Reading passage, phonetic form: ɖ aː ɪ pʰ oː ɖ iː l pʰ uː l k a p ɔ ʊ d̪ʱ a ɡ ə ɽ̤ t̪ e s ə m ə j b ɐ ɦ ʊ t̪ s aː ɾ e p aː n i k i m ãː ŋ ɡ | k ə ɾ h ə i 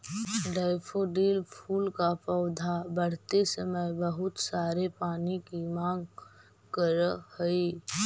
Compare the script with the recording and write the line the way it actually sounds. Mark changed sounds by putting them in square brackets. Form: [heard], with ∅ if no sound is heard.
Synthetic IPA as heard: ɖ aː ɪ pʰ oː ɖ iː l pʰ uː l k a p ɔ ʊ d̪ʱ a [b] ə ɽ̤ t̪ e s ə m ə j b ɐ ɦ ʊ t̪ s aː ɾ e p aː n i k i m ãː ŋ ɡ | k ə ɾ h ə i